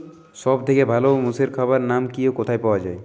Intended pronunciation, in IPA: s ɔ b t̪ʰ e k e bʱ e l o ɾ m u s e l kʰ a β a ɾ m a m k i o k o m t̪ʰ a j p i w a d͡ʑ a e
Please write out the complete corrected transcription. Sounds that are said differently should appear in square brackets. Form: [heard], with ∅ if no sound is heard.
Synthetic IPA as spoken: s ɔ b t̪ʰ e k e bʱ [a] l o [∅] m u s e [ɾ] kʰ a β a ɾ [n] a m k i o k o [∅] t̪ʰ a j p [a] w a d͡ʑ a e